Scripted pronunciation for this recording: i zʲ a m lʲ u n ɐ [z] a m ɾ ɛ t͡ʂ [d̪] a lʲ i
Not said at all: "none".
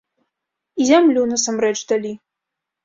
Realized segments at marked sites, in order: s, d̪

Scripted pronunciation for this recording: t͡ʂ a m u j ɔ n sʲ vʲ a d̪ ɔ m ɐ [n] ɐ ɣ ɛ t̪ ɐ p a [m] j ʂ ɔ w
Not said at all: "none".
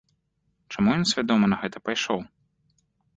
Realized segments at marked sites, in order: n, none

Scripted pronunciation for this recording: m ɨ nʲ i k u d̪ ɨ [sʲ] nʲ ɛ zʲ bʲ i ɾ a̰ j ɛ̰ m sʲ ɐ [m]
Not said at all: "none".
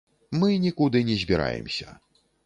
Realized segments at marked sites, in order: none, none

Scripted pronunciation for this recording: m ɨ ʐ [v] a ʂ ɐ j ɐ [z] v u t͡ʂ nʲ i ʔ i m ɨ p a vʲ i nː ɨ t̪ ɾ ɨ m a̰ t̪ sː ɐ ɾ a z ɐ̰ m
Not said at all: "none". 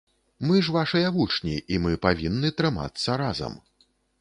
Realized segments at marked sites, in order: v, none

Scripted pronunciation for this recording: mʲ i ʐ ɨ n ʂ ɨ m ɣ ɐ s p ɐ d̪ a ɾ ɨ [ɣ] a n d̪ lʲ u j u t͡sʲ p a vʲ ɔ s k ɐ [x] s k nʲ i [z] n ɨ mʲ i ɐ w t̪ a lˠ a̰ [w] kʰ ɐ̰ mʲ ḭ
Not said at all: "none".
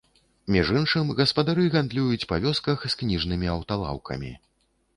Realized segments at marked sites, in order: ɣ, x, ʐ, w

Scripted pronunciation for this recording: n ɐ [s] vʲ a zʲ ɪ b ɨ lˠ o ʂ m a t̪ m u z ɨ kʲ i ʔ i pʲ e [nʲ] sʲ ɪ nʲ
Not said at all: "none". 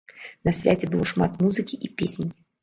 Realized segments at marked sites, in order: s, none

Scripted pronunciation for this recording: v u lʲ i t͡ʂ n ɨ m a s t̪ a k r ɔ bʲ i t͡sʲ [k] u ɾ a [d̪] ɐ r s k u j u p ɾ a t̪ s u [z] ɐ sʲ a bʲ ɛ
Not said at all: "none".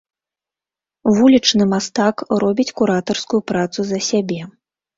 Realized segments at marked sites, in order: k, t̪, z

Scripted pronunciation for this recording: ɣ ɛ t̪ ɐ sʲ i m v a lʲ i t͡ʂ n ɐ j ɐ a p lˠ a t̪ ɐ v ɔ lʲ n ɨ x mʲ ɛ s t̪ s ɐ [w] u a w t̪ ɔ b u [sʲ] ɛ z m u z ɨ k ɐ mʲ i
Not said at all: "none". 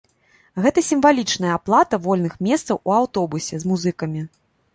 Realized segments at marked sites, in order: w, sʲ

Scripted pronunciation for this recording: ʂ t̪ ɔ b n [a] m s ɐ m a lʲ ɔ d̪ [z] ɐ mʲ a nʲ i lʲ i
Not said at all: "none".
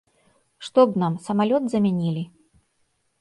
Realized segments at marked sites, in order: a, z

